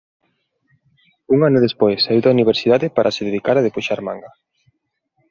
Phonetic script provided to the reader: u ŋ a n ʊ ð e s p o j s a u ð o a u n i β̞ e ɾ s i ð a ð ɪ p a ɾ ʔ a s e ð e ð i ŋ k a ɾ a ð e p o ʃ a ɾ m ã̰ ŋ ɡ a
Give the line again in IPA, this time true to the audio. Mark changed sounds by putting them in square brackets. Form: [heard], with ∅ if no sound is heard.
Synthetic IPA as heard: u ŋ a n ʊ ð e s p o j s a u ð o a u n i β̞ e ɾ s i ð a ð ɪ p a ɾ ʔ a s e ð e ð i [∅] k a ɾ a ð e p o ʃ a ɾ m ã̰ ŋ ɡ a